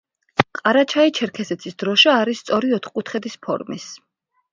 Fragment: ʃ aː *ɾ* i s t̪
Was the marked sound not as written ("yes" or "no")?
no